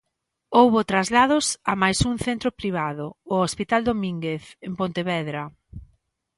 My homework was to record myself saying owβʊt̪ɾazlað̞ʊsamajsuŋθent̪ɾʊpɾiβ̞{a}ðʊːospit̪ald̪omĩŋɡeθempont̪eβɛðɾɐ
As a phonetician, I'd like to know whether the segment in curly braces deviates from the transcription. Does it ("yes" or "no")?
no